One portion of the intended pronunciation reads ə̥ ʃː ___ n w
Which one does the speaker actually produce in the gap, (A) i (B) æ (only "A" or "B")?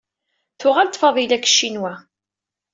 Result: A